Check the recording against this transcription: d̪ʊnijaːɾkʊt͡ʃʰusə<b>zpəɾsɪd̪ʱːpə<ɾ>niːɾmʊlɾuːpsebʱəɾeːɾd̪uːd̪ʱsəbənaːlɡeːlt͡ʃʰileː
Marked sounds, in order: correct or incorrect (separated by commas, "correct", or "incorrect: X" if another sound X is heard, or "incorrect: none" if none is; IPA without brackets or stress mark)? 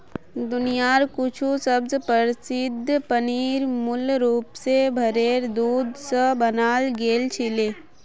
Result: correct, incorrect: none